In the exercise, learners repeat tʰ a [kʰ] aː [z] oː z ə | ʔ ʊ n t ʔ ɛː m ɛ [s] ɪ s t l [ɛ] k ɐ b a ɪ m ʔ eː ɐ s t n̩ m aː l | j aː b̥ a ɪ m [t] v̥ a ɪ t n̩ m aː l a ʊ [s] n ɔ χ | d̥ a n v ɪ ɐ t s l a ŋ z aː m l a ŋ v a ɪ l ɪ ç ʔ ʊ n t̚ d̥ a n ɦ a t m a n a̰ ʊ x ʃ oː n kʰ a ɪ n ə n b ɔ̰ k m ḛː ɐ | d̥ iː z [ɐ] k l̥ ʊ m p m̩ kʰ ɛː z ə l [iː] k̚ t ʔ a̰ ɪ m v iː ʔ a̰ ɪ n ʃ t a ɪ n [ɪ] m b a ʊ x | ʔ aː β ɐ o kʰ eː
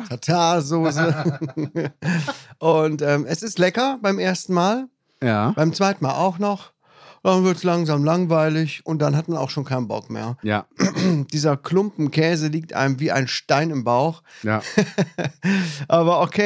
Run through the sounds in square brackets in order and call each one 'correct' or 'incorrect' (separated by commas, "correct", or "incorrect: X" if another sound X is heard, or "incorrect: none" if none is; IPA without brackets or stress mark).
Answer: incorrect: tʰ, correct, correct, correct, incorrect: t͡s, incorrect: x, correct, correct, correct